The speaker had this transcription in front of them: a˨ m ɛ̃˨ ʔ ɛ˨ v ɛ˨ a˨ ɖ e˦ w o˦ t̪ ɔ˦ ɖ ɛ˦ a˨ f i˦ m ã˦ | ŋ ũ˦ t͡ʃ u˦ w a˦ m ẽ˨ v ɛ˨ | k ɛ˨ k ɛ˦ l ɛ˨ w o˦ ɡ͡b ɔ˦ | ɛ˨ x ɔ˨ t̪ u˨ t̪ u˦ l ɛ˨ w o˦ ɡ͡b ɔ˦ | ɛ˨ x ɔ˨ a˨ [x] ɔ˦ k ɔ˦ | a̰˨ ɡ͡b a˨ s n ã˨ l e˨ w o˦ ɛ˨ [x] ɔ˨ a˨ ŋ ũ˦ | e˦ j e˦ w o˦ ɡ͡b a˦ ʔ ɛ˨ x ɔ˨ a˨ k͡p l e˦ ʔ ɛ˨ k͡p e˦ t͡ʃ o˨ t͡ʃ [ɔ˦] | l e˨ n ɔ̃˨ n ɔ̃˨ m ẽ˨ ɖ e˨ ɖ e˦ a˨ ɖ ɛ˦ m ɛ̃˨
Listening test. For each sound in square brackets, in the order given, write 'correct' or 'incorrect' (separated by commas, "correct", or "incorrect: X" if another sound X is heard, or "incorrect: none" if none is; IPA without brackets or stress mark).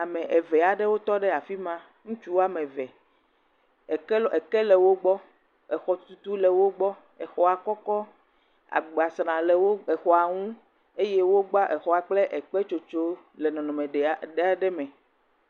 incorrect: k, correct, incorrect: o˦